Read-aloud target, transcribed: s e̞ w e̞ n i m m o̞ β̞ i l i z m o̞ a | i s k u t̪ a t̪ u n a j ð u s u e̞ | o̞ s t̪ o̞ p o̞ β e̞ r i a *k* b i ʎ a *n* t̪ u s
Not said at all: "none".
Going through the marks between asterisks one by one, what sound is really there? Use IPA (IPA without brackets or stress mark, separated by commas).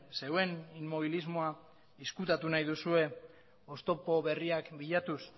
k, none